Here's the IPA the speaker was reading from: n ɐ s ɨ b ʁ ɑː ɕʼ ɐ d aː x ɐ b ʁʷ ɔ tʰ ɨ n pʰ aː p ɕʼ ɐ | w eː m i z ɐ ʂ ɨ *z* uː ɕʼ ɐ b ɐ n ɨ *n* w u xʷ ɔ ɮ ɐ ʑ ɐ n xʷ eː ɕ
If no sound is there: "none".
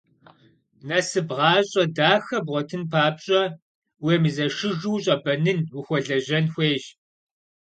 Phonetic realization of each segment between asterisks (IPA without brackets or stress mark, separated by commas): ʒ, n